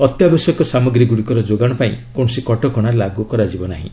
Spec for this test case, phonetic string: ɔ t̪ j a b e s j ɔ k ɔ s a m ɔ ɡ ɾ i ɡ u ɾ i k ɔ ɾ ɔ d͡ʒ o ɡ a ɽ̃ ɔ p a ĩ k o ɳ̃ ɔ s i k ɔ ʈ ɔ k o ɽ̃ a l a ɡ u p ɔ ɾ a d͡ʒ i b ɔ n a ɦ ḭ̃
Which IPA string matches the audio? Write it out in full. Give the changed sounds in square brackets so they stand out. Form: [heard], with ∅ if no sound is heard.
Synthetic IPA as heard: ɔ t̪ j a b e s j ɔ k ɔ s a m ɔ ɡ ɾ i ɡ u [ɽ] i k ɔ ɾ ɔ d͡ʒ o ɡ a ɽ̃ ɔ p a ĩ k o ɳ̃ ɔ s i k ɔ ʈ ɔ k [ɔ] ɽ̃ a l a ɡ u [k] ɔ ɾ a d͡ʒ i b ɔ n a ɦ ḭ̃